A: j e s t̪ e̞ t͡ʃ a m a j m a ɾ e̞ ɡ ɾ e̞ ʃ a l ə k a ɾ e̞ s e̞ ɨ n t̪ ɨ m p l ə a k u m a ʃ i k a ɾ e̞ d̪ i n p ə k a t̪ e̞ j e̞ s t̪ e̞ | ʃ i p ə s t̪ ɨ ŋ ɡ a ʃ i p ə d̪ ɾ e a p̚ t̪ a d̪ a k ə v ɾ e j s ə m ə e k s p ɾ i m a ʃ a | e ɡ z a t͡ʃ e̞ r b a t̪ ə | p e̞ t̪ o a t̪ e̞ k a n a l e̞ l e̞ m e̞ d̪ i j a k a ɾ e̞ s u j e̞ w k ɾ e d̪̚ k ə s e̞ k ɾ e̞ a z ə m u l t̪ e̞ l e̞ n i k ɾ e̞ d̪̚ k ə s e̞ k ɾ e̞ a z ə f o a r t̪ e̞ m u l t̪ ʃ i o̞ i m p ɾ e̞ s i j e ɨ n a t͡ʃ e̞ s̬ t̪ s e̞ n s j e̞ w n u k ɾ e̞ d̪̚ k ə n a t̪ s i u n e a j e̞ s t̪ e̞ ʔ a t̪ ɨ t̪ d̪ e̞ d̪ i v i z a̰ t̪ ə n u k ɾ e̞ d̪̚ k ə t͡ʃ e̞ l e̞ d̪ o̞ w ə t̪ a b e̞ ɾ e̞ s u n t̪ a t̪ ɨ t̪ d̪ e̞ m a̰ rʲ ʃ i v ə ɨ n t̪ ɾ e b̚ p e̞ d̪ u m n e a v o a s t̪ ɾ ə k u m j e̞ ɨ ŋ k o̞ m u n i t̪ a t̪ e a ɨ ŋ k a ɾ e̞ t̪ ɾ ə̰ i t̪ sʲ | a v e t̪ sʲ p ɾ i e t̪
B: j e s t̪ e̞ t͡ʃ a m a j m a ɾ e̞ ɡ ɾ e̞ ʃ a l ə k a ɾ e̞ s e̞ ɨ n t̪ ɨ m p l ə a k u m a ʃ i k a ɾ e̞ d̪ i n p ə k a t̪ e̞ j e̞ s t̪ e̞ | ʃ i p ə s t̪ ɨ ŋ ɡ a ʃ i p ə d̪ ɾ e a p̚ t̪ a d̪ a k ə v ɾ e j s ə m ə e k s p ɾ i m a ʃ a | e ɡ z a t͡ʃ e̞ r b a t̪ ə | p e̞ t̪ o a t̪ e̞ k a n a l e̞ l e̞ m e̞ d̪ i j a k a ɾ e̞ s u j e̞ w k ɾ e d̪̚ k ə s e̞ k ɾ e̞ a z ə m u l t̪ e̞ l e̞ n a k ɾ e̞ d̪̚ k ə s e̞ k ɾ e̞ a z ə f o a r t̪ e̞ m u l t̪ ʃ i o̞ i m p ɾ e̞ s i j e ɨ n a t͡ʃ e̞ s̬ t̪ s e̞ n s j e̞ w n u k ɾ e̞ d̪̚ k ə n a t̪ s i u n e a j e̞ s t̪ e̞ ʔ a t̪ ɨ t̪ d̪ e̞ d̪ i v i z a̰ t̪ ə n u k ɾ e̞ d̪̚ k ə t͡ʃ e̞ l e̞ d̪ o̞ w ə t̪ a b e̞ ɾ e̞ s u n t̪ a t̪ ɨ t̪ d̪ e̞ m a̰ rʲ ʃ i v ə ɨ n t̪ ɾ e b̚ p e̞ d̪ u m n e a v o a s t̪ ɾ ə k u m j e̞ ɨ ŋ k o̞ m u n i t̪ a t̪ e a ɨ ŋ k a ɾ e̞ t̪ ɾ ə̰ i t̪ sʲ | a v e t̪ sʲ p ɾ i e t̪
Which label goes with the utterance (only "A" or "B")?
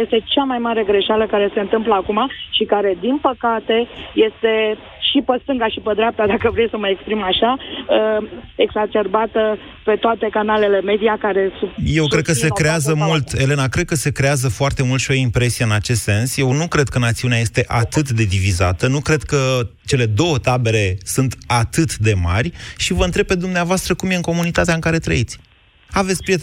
B